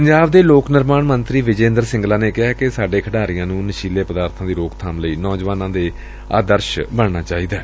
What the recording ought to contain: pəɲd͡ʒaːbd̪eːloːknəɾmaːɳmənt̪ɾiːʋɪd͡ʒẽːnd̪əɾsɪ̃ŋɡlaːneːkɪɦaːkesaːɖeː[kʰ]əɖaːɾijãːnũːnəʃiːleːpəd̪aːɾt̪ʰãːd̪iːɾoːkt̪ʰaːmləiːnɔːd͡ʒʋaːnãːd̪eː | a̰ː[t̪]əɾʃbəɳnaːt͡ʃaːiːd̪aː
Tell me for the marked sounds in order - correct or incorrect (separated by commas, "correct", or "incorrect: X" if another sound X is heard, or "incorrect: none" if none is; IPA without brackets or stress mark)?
correct, incorrect: d̪